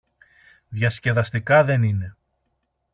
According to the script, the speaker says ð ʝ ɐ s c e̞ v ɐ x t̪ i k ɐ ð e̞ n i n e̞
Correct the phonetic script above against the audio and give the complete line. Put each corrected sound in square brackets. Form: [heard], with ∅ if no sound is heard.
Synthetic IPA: ð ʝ ɐ s c e̞ [ð] ɐ [s] t̪ i k ɐ ð e̞ n i n e̞